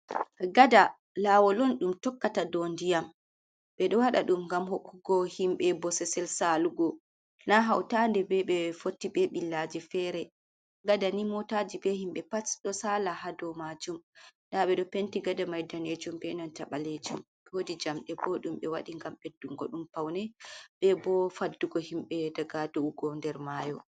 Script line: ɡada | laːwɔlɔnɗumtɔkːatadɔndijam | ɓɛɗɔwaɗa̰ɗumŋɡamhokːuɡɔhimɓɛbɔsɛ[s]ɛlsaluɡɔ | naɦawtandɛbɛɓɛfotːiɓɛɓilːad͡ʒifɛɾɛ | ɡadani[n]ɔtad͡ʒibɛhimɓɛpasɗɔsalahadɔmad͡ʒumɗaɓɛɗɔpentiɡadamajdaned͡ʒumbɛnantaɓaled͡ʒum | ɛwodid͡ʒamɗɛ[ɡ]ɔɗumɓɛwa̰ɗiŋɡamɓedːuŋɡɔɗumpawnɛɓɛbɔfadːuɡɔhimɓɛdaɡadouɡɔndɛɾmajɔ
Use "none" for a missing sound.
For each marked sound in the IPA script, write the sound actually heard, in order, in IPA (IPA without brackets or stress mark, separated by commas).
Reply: s, m, b